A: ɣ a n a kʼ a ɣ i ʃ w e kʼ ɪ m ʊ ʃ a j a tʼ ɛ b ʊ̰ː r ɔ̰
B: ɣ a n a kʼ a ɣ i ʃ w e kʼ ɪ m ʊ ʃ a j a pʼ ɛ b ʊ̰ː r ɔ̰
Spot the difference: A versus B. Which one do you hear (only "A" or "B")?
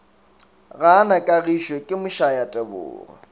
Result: A